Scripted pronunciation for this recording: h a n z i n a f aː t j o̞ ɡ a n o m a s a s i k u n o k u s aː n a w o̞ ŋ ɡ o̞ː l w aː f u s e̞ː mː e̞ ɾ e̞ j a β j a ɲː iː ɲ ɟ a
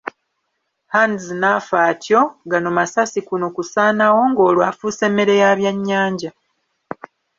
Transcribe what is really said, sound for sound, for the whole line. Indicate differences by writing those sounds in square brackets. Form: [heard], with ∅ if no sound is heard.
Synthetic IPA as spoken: h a n z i n a f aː t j o̞ ɡ a n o m a s a s i k u n o k u s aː n a w o̞ ŋ ɡ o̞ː l w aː f u s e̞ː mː e̞ ɾ e̞ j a β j a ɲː [aː] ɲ ɟ a